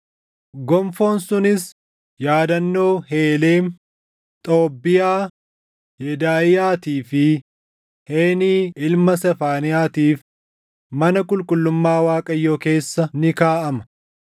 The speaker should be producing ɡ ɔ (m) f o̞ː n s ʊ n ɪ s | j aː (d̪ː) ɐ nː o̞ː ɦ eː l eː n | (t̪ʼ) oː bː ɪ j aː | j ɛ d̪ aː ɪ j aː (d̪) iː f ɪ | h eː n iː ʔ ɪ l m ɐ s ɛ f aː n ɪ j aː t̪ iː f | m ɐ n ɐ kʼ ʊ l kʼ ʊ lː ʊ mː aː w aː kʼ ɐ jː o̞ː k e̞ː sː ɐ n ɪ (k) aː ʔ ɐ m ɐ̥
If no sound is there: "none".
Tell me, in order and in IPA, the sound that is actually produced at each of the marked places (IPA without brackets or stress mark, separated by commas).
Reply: m, d̪, t̪ʼ, t̪, k